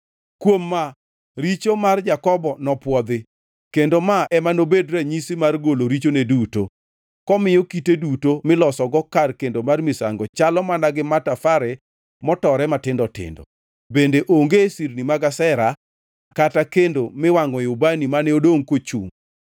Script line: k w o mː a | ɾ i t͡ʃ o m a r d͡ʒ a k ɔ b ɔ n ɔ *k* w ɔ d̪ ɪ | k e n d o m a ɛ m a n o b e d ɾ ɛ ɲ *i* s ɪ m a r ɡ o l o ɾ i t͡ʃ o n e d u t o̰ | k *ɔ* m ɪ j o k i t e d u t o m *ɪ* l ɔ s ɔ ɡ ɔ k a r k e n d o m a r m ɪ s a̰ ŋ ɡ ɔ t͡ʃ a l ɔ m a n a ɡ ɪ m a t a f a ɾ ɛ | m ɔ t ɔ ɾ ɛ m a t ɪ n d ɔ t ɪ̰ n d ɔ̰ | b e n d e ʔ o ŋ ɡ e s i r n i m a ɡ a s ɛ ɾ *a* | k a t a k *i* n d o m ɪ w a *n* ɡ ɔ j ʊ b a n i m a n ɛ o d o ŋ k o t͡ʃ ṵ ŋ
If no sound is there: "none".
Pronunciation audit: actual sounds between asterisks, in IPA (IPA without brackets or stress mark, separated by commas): p, i, ɔ, ɪ, a, e, ŋ